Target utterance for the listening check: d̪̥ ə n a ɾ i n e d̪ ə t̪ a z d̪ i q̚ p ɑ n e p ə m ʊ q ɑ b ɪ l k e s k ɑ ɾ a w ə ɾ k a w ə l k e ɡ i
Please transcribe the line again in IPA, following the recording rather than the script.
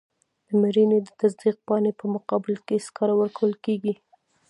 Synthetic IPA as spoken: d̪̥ ə m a ɾ i n e d̪ ə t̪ a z d̪ i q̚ p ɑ n e p ə m ʊ q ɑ b ɪ l k e s k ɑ ɾ a w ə ɾ k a w ə l k e ɡ i